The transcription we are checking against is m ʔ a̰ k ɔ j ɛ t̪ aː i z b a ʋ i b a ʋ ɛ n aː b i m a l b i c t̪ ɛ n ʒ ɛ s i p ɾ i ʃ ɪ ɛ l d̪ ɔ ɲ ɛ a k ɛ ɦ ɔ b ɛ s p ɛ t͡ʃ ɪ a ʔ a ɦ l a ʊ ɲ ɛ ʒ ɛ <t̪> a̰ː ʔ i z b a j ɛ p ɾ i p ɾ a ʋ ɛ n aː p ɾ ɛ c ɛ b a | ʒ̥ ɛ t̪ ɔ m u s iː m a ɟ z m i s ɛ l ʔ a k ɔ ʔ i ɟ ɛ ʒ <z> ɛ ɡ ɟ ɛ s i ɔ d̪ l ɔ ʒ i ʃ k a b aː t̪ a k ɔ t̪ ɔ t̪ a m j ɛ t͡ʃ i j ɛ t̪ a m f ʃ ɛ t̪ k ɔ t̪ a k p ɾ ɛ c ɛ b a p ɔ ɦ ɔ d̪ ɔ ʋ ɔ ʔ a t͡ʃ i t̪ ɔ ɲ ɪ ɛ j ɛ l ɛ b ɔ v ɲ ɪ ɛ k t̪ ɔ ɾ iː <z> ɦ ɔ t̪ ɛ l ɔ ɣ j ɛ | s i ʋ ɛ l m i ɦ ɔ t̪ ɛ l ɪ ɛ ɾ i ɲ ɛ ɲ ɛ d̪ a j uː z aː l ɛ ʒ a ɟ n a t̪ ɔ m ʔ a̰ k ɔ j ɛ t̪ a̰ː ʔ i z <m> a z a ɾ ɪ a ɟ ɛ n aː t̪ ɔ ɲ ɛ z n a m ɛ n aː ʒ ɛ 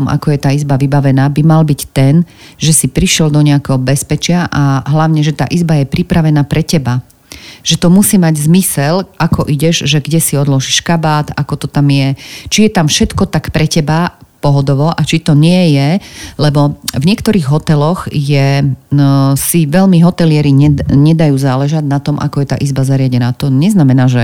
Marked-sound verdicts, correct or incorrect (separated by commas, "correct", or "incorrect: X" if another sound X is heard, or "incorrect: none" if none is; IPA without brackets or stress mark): correct, incorrect: ʒ, incorrect: ɣ, incorrect: b